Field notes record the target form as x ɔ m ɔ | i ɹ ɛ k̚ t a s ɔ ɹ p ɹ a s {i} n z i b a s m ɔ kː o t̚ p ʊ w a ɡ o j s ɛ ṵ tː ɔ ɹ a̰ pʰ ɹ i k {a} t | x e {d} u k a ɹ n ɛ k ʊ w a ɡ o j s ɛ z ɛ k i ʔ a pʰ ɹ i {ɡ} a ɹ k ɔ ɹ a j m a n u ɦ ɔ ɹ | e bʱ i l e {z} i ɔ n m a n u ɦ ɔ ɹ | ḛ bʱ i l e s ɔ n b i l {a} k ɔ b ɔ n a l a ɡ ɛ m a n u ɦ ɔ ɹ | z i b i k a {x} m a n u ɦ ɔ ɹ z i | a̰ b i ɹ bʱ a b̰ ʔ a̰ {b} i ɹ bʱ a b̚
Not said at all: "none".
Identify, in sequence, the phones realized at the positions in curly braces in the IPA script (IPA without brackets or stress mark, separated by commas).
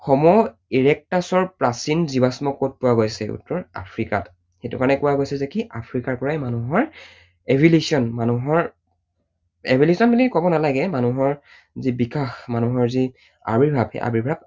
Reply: i, a, t, k, s, i, x, b